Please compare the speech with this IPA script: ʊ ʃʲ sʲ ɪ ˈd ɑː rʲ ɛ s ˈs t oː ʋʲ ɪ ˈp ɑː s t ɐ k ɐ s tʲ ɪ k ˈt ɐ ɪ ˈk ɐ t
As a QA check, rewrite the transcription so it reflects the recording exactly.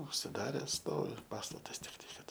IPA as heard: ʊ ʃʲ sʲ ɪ ˈd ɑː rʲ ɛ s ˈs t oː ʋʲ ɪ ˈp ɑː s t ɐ t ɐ s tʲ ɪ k ˈt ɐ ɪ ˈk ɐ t